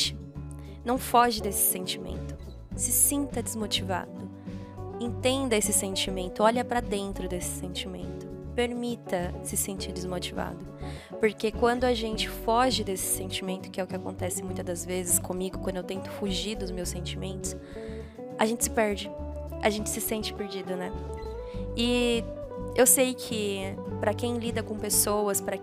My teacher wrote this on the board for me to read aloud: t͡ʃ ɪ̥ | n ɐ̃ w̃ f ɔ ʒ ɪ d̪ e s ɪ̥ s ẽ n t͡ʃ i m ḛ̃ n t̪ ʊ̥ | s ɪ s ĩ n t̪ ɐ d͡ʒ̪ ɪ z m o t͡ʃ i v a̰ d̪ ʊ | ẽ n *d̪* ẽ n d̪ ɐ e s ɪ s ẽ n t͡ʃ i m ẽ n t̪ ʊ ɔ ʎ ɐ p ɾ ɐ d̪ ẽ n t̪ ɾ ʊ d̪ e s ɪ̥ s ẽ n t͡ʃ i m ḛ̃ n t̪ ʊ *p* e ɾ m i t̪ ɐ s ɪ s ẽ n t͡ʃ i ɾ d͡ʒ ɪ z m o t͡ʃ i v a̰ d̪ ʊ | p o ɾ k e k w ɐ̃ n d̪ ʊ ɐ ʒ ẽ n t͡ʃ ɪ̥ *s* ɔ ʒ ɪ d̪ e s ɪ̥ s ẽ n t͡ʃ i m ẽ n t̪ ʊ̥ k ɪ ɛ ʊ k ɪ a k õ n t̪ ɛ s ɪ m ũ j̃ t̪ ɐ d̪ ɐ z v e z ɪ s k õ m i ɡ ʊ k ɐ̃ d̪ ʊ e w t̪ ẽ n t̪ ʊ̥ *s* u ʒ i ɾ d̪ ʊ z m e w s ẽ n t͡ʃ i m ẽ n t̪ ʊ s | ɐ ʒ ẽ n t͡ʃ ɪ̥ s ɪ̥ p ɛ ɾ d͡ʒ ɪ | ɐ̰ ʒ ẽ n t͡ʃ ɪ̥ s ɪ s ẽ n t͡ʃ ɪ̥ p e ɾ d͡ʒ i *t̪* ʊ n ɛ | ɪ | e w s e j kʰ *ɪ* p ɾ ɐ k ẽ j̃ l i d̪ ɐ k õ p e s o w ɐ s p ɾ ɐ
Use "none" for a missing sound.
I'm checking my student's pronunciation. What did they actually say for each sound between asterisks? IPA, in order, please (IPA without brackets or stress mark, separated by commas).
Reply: t̪, p, f, f, d̪, ɪ